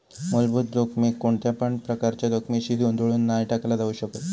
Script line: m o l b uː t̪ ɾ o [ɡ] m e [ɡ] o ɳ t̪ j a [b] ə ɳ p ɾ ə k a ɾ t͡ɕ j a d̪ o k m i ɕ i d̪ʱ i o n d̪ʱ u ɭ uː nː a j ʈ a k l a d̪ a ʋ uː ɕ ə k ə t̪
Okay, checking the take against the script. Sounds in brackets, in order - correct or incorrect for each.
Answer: incorrect: k, incorrect: k, incorrect: p

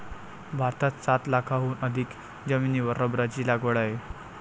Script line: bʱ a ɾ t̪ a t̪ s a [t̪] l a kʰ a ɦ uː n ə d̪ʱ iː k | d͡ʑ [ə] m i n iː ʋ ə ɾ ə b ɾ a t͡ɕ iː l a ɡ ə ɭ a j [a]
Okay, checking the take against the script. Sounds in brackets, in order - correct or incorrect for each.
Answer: correct, correct, incorrect: e

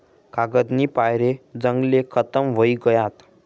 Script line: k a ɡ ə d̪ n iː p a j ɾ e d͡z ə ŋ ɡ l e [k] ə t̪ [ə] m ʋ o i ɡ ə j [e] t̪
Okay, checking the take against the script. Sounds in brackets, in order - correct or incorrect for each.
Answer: incorrect: kʰ, correct, incorrect: a

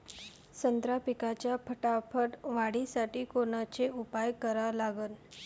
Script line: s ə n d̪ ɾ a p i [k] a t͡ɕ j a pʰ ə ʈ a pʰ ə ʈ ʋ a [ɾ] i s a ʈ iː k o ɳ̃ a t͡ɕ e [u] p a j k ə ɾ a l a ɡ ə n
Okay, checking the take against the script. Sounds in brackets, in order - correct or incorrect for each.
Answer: correct, incorrect: ɽ, correct

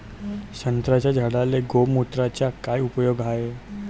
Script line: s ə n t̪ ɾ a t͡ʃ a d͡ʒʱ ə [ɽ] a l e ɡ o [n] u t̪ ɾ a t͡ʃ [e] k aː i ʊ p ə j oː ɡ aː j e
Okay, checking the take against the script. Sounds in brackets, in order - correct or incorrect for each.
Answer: correct, incorrect: m, incorrect: a

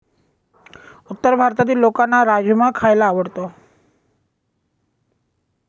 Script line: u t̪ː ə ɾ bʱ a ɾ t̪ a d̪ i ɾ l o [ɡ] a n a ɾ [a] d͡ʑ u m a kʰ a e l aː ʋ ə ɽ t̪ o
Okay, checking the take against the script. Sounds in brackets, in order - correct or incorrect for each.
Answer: incorrect: k, correct

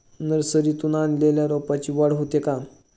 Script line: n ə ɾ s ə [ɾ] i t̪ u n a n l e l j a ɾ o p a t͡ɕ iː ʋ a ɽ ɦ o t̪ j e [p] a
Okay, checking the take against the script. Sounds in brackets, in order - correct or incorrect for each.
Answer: correct, incorrect: k

